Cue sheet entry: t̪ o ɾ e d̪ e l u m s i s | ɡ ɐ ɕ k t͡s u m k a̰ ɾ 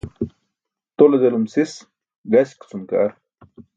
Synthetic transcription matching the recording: t̪ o l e d̪ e l u m s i s | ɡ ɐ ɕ k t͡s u m k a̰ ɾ